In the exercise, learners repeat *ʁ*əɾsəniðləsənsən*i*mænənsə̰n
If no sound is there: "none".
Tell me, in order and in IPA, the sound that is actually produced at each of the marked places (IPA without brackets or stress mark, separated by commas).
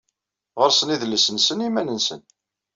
ʁ, i